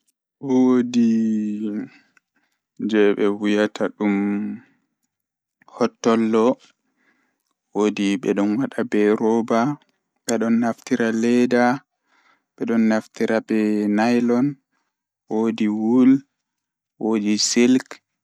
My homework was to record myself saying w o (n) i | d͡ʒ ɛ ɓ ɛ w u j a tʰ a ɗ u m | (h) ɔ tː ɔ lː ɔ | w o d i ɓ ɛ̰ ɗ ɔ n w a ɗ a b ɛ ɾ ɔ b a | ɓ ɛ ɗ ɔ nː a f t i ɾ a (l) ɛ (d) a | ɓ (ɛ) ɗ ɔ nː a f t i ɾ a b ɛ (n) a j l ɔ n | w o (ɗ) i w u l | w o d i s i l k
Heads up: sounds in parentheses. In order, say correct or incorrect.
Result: incorrect: d, correct, correct, correct, correct, correct, incorrect: d

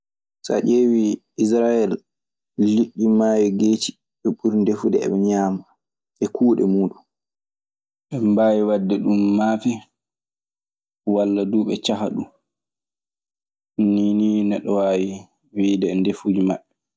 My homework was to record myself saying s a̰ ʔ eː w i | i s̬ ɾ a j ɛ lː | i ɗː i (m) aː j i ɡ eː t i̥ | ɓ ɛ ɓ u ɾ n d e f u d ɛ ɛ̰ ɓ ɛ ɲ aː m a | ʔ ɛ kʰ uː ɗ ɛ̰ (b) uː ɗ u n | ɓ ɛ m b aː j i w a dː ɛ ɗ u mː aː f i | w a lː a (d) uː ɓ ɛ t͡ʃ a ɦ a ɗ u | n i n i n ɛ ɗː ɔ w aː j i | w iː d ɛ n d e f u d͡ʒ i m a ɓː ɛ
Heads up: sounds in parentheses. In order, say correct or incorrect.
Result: correct, incorrect: m, correct

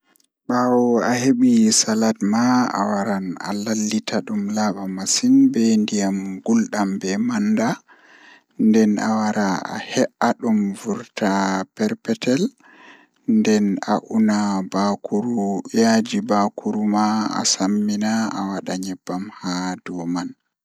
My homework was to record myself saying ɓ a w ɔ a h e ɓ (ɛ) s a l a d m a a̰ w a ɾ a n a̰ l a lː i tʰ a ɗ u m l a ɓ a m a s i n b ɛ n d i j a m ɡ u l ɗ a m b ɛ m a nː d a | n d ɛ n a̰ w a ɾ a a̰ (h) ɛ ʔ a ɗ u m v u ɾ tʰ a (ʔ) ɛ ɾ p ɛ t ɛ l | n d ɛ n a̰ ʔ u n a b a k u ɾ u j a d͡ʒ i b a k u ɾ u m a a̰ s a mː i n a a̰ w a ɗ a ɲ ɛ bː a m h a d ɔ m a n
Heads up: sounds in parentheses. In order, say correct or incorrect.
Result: incorrect: i, correct, incorrect: p

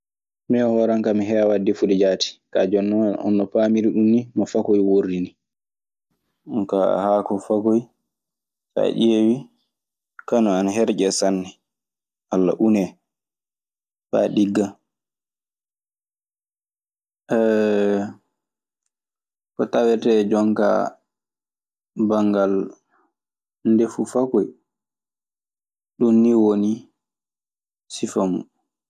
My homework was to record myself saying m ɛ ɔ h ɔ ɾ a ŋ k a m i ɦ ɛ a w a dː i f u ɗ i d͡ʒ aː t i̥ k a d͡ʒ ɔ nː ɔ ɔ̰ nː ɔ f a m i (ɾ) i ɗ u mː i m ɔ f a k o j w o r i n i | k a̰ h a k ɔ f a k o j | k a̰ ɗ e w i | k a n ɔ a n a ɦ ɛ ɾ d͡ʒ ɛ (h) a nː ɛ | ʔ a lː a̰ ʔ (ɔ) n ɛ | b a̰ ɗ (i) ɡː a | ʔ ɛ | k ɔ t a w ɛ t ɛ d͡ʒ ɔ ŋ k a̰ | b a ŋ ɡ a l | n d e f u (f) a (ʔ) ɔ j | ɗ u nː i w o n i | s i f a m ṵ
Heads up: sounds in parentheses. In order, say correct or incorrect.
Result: correct, incorrect: s, incorrect: u, correct, correct, incorrect: k

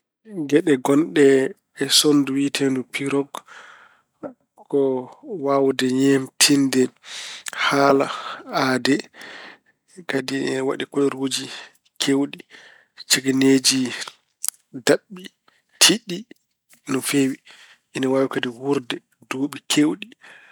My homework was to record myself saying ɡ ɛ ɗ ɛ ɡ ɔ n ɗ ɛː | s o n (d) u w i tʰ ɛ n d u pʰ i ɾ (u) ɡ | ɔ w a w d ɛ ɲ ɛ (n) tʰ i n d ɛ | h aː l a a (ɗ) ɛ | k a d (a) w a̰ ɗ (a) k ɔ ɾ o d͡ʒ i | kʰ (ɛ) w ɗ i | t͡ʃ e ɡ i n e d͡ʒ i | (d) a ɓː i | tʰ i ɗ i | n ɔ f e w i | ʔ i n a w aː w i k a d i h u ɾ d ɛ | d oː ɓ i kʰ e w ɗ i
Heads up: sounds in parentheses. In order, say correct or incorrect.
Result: correct, incorrect: ɔ, incorrect: m, incorrect: d, incorrect: i, incorrect: i, incorrect: e, correct

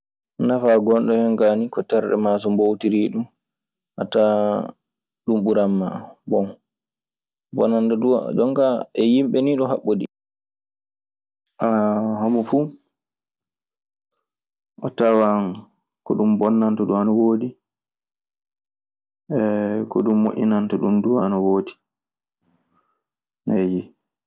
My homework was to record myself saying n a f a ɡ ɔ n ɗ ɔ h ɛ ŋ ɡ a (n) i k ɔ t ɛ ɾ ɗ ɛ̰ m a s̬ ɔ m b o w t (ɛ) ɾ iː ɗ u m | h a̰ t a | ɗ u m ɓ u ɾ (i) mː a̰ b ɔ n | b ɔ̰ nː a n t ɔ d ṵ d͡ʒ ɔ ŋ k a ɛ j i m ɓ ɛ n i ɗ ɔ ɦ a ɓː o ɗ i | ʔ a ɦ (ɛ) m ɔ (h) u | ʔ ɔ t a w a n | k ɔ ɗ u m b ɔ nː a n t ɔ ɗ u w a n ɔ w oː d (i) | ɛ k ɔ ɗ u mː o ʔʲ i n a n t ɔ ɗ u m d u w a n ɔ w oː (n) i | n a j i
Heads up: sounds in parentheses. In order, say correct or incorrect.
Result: correct, incorrect: i, incorrect: a, incorrect: a, incorrect: f, correct, incorrect: d

